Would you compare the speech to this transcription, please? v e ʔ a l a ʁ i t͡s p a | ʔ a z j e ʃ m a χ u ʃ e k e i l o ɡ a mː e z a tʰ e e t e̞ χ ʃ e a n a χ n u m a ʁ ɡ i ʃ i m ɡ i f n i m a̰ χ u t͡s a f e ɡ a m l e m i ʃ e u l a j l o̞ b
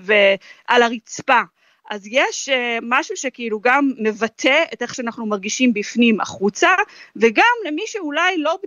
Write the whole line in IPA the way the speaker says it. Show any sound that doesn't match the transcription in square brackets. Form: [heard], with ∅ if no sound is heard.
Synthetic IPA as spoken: v e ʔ a l a ʁ i t͡s p a | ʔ a z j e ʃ m a [ʃ] u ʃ e k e i l [u] ɡ a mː e [v] a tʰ e e t e̞ χ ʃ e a n a χ n u m a ʁ ɡ i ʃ i m [b] i f n i m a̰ χ u t͡s a [v] e ɡ a m l e m i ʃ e u l a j l o̞ b